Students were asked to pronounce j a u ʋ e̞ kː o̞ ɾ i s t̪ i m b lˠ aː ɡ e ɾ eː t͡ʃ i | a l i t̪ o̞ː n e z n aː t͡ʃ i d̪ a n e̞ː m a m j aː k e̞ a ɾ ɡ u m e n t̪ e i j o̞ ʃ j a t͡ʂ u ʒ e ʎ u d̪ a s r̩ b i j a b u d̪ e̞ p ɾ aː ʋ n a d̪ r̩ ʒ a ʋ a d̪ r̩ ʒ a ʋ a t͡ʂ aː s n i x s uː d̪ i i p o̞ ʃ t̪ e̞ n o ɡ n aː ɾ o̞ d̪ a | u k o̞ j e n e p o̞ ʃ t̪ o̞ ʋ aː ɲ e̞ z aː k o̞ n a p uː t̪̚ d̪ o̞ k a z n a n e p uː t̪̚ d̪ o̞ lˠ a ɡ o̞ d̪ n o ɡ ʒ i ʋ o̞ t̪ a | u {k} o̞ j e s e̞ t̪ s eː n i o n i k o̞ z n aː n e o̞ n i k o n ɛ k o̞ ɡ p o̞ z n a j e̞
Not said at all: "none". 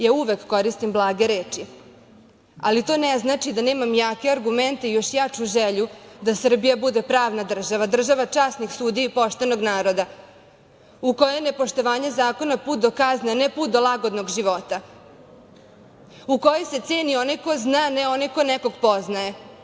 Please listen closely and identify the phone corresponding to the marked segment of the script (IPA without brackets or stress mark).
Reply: k